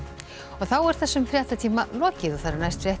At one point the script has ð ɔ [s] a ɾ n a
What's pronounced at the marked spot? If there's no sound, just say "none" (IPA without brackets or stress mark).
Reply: θ